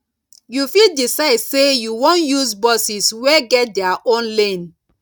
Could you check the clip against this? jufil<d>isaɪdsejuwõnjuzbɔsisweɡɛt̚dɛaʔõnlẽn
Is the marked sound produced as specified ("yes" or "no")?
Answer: yes